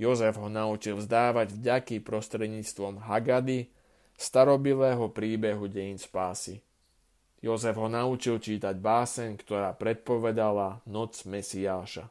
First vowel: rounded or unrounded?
rounded